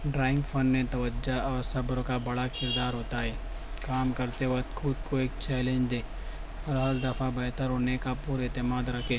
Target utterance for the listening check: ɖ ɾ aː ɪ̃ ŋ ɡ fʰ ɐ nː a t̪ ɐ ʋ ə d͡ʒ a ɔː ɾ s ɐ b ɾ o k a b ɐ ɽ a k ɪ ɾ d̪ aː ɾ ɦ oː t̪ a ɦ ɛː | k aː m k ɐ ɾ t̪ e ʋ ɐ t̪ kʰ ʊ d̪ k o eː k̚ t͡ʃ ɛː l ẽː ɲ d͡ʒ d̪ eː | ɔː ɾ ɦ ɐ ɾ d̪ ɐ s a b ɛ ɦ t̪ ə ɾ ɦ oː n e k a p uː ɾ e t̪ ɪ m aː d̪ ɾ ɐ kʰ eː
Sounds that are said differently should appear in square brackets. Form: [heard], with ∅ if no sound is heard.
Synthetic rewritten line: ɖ ɾ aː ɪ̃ ŋ ɡ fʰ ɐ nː [e] t̪ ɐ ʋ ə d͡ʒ a ɔː ɾ s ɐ b ɾ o k a b ɐ ɽ a k ɪ ɾ d̪ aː ɾ ɦ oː t̪ a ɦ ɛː | k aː m k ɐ ɾ t̪ e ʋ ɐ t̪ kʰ ʊ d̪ k o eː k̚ t͡ʃ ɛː l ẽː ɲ d͡ʒ d̪ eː | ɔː ɾ ɦ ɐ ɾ d̪ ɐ [f] a b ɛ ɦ t̪ ə ɾ ɦ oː n e k a p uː ɾ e t̪ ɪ m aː d̪ ɾ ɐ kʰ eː